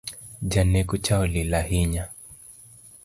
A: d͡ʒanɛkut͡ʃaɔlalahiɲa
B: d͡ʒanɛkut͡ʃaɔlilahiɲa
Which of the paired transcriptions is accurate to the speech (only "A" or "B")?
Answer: B